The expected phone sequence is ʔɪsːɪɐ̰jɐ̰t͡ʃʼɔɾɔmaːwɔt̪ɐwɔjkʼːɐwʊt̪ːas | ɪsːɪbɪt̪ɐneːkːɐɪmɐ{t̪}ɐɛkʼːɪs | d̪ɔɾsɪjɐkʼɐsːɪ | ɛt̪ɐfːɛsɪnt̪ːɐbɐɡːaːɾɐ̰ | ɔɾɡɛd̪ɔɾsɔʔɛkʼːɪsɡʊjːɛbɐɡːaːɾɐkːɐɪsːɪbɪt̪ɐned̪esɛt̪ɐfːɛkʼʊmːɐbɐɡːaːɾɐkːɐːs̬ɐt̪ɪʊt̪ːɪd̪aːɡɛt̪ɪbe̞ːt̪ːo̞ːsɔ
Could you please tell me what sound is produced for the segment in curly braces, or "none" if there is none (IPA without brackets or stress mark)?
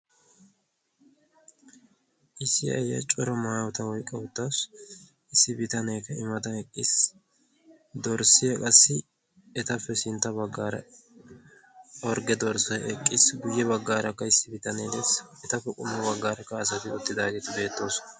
t̪